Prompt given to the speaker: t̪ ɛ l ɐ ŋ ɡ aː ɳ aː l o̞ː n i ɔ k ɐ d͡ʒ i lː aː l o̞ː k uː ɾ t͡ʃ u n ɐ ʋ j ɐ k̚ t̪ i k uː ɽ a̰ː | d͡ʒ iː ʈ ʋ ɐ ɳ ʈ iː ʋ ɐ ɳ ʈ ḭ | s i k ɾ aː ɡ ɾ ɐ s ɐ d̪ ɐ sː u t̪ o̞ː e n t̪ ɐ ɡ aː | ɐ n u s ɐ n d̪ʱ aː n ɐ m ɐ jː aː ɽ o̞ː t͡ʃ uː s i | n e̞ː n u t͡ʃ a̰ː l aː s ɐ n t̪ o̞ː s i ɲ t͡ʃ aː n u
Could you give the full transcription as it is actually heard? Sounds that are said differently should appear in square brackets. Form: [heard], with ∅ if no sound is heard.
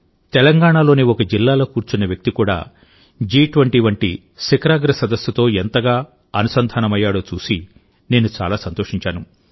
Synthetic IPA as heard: t̪ ɛ l ɐ ŋ ɡ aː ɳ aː l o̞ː n i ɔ k ɐ d͡ʒ i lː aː l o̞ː k uː ɾ t͡ʃ u n ɐ ʋ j ɐ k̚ t̪ i k uː ɽ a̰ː | d͡ʒ iː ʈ ʋ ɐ ɳ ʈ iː ʋ ɐ ɳ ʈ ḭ | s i k ɾ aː ɡ ɾ ɐ s ɐ d̪ ɐ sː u t̪ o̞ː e n t̪ ɐ ɡ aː | ɐ n u s ɐ n d̪ʱ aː n ɐ m ɐ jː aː ɽ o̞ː t͡ʃ uː s i | n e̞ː n u t͡ʃ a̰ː l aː s ɐ n t̪ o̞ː [ʂ] i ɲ t͡ʃ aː n u